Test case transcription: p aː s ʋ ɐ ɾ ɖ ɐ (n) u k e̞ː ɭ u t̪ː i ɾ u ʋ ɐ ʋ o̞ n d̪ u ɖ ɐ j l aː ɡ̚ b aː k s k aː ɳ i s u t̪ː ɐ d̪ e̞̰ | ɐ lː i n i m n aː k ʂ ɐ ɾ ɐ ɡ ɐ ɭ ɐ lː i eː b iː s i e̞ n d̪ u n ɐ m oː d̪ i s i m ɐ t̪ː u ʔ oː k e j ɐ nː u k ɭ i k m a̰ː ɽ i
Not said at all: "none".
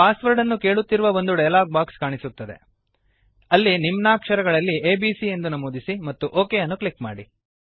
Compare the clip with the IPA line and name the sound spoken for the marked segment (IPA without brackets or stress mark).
nː